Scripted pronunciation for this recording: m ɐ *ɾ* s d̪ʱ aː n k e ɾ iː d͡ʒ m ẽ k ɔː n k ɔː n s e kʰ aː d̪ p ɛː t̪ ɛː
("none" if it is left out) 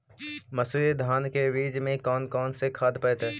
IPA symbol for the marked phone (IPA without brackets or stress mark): none